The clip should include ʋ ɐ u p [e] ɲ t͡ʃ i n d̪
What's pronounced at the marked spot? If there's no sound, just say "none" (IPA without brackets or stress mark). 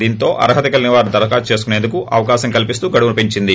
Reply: i